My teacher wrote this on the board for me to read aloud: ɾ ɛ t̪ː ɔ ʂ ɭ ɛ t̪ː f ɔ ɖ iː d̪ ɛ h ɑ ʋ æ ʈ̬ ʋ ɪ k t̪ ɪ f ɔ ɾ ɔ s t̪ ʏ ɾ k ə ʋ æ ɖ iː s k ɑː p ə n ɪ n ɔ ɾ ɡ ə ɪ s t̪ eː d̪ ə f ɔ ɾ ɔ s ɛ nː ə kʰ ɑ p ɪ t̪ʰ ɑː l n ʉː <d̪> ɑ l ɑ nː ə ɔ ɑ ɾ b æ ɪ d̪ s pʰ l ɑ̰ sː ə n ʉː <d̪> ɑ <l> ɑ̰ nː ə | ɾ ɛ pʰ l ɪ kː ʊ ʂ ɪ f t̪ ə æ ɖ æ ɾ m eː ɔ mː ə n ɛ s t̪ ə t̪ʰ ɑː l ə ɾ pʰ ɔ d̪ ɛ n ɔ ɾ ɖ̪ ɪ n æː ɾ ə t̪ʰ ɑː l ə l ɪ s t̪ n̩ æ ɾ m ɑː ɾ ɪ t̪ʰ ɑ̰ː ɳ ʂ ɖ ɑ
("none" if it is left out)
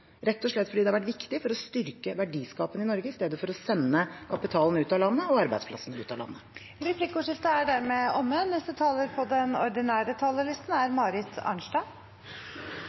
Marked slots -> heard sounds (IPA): t̪, t̪, l

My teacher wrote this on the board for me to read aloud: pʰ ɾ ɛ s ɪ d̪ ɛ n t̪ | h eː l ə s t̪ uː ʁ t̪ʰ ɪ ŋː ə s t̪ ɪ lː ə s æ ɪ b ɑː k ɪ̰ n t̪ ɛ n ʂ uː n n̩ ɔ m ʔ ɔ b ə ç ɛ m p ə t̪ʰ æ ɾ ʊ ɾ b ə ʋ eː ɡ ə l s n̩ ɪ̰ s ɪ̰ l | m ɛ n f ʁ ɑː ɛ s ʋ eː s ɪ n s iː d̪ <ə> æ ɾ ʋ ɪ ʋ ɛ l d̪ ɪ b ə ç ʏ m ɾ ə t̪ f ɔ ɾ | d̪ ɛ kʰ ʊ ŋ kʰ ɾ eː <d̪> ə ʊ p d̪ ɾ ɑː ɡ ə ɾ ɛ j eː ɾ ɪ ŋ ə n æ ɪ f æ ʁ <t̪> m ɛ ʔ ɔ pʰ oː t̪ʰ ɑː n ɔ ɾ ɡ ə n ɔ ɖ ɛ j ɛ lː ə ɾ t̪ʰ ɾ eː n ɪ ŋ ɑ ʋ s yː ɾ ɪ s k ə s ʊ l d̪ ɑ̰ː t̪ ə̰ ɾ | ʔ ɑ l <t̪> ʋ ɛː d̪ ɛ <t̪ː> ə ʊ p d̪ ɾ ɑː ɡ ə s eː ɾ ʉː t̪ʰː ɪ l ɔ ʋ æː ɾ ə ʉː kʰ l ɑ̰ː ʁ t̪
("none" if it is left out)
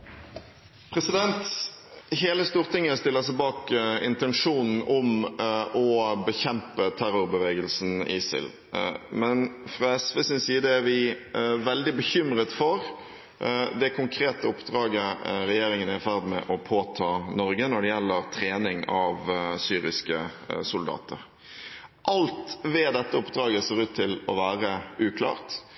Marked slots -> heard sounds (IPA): ə, t̪, d̪, t̪, t̪ː

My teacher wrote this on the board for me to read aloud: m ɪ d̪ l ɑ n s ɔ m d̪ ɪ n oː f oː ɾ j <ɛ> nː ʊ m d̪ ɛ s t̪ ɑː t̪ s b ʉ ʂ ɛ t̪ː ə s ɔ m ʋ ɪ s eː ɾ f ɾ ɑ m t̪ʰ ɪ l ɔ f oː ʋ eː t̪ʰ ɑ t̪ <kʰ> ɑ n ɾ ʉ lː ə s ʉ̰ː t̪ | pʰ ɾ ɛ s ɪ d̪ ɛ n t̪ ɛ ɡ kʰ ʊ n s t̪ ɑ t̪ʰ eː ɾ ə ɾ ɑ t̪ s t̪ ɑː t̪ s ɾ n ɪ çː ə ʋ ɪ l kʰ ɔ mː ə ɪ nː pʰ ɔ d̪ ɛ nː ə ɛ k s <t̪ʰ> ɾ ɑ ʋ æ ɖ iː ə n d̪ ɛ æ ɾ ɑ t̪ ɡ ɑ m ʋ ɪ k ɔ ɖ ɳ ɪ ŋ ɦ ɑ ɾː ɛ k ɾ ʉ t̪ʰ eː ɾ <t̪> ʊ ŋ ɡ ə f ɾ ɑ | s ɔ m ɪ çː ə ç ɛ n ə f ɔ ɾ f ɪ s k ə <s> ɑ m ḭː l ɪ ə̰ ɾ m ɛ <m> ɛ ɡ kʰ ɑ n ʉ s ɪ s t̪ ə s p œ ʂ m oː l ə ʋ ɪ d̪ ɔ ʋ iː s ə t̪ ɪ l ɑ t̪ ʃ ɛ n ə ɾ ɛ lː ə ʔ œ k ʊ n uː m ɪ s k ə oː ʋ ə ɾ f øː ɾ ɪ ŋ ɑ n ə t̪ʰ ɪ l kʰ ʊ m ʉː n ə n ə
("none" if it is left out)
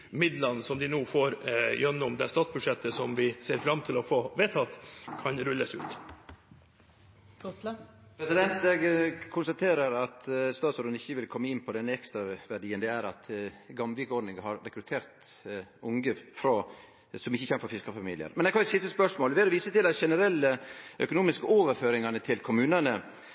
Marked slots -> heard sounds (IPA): œ, kʰ, t̪, t̪, f, n

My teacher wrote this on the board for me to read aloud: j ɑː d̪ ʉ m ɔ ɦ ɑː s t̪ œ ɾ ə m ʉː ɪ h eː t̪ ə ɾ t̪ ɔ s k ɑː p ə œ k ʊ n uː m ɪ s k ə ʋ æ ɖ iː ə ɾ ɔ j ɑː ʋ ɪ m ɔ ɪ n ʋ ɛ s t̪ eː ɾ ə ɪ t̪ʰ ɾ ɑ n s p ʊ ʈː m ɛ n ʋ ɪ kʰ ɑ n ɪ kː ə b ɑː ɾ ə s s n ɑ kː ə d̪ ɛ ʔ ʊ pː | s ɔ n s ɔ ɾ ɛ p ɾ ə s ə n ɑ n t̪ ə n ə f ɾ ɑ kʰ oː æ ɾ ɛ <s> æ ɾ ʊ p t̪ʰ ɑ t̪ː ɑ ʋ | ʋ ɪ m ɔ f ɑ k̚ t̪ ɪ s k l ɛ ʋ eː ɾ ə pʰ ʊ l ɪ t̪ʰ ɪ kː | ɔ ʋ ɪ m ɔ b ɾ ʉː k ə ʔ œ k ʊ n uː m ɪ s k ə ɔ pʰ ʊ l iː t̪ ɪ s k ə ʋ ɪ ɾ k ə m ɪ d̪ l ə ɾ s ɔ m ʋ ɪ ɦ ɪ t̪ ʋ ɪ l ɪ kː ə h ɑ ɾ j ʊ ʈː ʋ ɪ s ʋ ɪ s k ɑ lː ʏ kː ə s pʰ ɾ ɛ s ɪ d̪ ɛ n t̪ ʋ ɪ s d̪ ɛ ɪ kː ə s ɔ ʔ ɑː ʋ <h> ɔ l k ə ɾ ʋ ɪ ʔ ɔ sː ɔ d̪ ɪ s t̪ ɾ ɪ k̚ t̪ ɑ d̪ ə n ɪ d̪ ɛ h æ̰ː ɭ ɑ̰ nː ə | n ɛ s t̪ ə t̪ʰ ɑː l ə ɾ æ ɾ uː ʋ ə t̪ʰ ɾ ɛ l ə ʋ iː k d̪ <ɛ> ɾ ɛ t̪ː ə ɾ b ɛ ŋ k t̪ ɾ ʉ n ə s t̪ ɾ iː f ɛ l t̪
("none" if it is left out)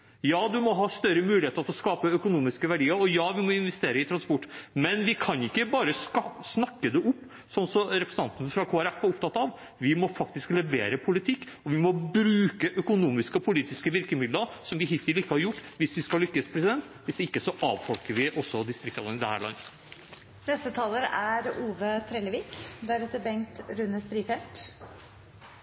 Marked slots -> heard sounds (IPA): f, f, æ

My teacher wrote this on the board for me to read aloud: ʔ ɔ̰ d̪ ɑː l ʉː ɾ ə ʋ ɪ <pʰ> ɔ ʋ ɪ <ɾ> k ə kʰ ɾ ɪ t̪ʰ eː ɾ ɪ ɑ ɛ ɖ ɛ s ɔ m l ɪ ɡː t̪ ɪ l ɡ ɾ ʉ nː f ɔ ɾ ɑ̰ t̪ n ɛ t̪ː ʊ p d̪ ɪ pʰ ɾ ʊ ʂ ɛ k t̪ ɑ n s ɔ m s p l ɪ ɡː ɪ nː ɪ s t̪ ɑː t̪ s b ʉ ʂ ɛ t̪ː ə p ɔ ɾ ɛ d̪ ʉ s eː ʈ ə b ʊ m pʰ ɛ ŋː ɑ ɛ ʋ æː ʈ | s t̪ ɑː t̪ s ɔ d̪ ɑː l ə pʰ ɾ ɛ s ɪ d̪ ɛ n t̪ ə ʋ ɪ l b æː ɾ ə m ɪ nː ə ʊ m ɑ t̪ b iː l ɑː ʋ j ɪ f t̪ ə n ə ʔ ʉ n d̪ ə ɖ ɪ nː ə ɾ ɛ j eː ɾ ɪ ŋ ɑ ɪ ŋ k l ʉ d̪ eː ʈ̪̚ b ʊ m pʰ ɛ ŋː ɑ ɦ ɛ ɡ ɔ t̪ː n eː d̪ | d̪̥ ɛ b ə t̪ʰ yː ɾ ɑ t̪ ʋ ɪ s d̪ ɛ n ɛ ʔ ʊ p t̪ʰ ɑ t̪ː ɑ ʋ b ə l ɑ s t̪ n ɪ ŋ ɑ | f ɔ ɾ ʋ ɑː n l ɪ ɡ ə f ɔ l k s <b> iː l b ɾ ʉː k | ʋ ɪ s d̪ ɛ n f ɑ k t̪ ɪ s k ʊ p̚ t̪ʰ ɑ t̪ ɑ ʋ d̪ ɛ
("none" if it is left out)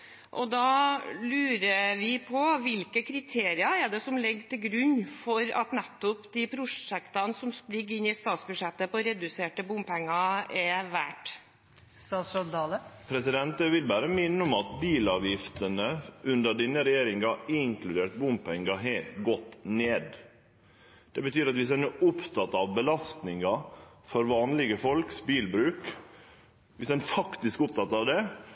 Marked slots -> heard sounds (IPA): pʰ, l, b

